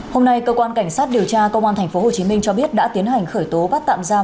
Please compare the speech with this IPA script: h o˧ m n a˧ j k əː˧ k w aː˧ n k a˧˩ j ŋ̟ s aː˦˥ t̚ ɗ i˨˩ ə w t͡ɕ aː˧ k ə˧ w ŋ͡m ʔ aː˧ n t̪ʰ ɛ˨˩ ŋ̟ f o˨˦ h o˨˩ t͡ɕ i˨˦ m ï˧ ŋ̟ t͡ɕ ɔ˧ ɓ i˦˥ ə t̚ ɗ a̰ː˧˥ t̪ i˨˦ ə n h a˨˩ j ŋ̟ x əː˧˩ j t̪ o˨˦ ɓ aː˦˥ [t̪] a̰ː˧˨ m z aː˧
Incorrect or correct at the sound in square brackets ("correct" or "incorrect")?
correct